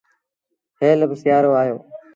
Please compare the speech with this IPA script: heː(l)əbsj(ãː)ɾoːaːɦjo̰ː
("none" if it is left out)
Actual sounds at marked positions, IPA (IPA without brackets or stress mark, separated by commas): l, aː